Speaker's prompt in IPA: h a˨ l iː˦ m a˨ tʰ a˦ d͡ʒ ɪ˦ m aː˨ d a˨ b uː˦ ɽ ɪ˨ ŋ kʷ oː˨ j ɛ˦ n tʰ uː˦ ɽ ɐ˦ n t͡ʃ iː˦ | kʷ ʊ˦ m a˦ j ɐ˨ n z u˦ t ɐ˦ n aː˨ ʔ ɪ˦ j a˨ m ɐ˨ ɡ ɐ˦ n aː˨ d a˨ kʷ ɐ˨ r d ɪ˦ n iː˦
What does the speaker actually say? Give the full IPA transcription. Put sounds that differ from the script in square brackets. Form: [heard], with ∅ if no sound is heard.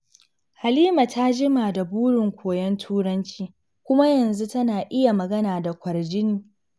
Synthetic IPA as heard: h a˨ l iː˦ m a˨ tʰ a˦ d͡ʒ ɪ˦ m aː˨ d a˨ b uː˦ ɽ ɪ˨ ŋ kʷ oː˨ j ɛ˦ n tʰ uː˦ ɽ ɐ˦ n t͡ʃ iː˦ | kʷ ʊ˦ m a˦ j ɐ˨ n z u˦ t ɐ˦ n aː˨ ʔ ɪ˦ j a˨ m ɐ˨ ɡ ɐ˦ n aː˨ d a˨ kʷ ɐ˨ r [d͡ʒ] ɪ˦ n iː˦